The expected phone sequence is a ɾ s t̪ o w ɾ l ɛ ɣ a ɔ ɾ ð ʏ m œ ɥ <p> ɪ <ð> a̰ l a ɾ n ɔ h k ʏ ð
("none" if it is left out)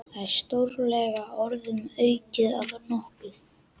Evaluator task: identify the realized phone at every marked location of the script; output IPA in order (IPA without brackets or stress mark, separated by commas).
c, ð